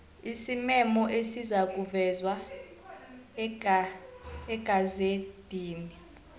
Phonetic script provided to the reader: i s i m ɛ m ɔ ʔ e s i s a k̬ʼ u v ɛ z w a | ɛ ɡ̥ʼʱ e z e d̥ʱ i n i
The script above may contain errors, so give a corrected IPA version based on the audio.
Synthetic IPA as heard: i s i m ɛ m ɔ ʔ e s i z a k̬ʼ u v ɛ z w a | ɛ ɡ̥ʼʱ a z e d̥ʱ iː n i

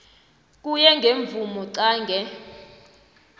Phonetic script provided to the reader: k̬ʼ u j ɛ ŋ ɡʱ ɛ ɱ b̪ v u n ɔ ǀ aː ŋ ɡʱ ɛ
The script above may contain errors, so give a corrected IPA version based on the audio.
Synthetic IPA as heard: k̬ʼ u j ɛ ŋ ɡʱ e ɱ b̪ v u m ɔ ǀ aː ŋ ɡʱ ɛ

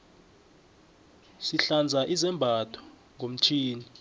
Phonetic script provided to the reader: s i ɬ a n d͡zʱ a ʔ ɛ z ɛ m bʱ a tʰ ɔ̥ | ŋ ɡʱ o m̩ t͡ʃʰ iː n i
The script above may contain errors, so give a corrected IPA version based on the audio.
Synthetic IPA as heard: s i ɬ a n d͡zʱ a ʔ i z ɛ m bʱ a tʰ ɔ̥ | ŋ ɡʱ o m̩ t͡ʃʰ iː n i

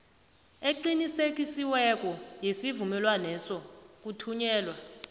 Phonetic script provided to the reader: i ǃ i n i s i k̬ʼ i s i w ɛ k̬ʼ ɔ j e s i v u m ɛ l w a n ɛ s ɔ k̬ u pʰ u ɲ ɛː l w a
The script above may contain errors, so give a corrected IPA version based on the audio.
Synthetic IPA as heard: e ǃ i n i s e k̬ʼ i s i w ɛ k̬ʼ ɔ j e s i v u m ɛ l w a n ɛ s ɔ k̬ u tʰ u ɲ ɛː l w a

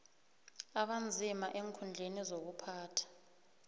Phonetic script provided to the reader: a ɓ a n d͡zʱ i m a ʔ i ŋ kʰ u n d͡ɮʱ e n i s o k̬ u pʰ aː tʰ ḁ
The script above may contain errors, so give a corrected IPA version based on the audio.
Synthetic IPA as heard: a ɓ a n d͡zʱ i m a ʔ e ŋ kʰ u n d͡ɮʱ e n i z o k̬ u pʰ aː tʰ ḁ

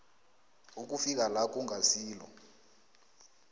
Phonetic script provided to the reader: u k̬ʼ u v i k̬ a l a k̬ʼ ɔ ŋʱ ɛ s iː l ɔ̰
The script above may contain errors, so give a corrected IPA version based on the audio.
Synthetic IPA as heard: u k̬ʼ u f i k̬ a l a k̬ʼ u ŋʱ a s iː l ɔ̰

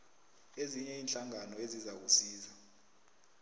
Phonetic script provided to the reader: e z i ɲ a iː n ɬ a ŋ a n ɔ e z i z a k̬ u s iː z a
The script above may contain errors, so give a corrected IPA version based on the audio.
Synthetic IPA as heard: e z i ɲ ɛ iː n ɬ a ŋ a n ɔ e z i z a k̬ u s iː z a

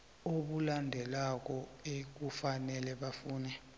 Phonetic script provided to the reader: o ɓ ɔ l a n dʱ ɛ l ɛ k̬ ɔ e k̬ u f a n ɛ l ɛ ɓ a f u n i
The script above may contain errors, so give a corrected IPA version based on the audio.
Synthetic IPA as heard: o ɓ u l a n dʱ ɛ l a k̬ ɔ e k̬ u f a n ɛ l ɛ ɓ a f uː n ɛ

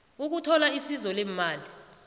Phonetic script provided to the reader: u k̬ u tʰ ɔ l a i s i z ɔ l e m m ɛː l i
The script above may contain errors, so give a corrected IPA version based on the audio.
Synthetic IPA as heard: u k̬ u tʰ ɔ l a i s i z ɔ l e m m aː l i

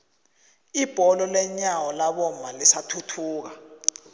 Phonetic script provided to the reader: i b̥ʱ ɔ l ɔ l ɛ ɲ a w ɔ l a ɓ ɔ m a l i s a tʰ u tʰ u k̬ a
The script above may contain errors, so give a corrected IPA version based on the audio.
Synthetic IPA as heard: i b̥ʱ ɔ l ɔ l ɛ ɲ a w ɔ l a ɓ ɔ m a l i s a tʰ u tʰ uː k̬ a

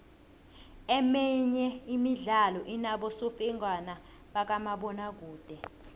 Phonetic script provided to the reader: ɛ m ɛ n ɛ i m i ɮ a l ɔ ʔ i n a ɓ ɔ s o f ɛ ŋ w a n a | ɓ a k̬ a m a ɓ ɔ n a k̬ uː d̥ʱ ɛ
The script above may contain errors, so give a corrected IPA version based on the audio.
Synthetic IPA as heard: ɛ m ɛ ɲ ɛ i m i ɮ a l ɔ ʔ i n a ɓ ɔ s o f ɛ ŋ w a n a | ɓ a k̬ a m a ɓ ɔ n a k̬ uː d̥ʱ ɛ

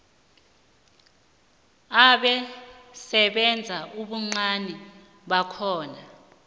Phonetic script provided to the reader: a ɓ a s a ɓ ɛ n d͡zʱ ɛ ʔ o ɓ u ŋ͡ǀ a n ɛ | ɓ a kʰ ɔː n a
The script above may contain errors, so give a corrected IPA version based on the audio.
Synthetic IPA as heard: a ɓ ɛ s ɛ ɓ ɛ n d͡zʱ a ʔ u ɓ u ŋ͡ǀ a n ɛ | ɓ a kʰ ɔː n a

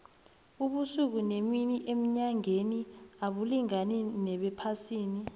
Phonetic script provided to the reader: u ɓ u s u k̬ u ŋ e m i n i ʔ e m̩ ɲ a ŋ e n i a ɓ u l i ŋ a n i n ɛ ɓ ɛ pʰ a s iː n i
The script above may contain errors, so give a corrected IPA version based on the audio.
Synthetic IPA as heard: u ɓ u s u k̬ u n e m i n i ʔ e m̩ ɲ a ŋ e n i a ɓ u l i ŋ a n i n ɛ ɓ ɛ pʰ a s iː n i

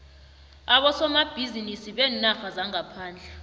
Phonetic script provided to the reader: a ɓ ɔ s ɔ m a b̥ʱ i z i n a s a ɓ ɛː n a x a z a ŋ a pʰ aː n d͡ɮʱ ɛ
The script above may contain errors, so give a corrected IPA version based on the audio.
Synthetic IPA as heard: a ɓ ɔ s ɔ m a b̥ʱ i z i n i s i ɓ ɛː n a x a z a ŋ a pʰ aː n d͡ɮʱ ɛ

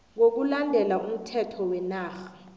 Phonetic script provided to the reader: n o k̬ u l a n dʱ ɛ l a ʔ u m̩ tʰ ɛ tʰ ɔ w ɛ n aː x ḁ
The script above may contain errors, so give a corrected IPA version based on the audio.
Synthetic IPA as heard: ŋ o k̬ u l a n dʱ ɛ l a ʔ u m̩ tʰ ɛ tʰ ɔ w ɛ n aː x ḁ

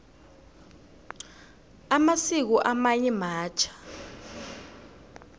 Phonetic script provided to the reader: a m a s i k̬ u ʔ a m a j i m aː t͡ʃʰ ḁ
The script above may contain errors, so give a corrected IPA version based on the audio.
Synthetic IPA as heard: a m a s i k̬ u ʔ a m a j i m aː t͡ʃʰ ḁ

